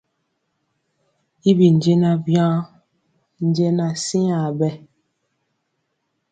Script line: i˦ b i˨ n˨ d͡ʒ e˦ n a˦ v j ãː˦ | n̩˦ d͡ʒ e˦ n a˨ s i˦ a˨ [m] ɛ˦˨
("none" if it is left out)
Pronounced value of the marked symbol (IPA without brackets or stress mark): b